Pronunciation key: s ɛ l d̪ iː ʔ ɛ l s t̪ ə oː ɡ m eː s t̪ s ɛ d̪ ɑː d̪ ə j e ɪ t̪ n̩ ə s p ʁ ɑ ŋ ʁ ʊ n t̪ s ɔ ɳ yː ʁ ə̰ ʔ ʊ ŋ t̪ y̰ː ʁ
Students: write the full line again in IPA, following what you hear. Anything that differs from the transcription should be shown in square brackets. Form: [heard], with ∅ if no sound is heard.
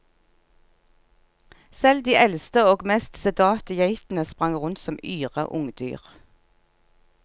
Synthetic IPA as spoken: s ɛ l d̪ iː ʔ ɛ l s t̪ ə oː ɡ m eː s t̪ s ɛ d̪ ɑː [t̪] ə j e ɪ t̪ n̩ ə s p ʁ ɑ ŋ ʁ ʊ n t̪ s ɔ [m] yː ʁ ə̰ ʔ ʊ ŋ [d̪] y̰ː ʁ